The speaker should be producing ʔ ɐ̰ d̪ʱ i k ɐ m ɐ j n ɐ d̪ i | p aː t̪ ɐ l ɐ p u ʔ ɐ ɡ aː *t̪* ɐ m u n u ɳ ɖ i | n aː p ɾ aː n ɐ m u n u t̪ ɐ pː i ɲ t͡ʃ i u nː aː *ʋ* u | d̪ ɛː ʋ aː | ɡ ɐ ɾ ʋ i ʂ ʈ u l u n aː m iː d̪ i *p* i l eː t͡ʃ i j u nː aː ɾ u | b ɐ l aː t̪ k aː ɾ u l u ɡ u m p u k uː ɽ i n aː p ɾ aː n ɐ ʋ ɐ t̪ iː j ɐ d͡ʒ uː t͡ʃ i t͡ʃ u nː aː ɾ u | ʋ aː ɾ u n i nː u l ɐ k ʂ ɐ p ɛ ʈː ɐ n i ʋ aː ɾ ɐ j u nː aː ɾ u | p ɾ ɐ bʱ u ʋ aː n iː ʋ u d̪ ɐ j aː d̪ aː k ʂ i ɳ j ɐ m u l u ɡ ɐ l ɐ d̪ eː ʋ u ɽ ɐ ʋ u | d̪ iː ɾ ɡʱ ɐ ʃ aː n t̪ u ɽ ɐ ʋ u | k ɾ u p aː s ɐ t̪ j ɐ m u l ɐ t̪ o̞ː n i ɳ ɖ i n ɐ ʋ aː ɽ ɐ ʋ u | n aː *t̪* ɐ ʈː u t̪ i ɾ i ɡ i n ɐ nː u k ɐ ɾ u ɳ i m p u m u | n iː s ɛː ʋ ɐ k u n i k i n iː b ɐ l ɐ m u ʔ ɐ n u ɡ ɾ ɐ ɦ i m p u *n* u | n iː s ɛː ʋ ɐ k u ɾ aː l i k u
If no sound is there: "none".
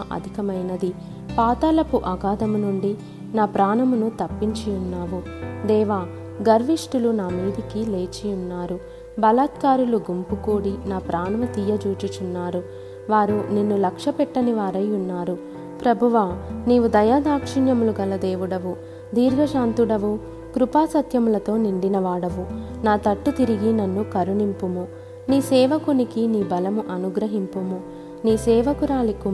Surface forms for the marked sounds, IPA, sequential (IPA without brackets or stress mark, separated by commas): d̪, ʋ, k, t̪, m